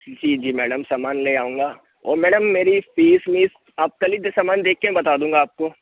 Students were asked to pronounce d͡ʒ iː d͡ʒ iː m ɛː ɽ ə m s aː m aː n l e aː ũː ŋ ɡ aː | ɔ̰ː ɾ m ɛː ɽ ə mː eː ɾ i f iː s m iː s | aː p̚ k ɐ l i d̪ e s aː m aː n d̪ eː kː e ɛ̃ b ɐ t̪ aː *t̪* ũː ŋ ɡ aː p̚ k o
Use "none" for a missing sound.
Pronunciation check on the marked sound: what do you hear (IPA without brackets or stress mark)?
d̪